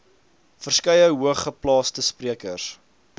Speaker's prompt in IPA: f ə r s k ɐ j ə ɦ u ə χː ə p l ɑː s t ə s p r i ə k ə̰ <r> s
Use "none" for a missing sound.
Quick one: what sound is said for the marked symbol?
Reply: r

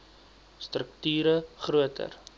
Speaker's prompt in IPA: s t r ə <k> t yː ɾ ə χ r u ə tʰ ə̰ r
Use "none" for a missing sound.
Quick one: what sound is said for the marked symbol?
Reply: k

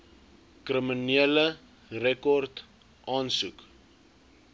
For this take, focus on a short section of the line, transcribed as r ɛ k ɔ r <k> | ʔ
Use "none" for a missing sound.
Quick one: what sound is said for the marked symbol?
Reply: t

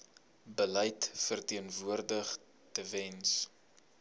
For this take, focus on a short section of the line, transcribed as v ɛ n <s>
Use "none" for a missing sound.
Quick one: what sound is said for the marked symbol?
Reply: s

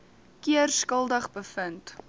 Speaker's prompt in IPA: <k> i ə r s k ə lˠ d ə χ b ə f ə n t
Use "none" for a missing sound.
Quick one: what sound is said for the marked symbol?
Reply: k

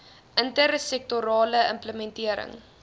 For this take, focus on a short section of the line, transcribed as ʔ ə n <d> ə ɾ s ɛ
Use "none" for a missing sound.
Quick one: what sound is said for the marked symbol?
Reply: t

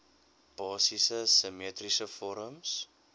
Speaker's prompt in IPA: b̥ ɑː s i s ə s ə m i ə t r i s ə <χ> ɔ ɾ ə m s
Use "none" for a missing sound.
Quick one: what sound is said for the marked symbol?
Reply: f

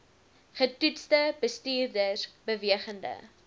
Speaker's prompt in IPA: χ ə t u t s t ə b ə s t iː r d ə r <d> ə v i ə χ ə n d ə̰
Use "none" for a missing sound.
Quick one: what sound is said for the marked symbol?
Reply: b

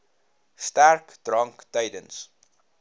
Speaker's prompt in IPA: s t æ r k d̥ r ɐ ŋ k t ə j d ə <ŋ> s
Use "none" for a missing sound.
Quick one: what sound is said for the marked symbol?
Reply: n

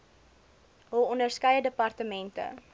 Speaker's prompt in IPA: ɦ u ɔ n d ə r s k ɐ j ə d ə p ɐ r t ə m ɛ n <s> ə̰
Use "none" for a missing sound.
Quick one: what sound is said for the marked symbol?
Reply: t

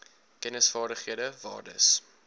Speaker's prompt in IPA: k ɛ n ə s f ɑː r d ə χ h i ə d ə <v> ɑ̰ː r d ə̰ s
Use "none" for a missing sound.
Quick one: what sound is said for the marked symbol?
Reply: v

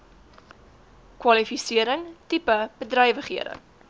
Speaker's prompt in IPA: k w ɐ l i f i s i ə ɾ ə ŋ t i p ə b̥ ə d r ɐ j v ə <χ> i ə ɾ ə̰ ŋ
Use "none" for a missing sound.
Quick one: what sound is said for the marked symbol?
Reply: χ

